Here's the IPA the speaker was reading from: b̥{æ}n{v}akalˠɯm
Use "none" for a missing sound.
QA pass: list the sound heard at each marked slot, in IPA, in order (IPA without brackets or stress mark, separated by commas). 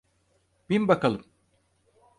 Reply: i, b